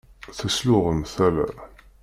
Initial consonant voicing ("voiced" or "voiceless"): voiceless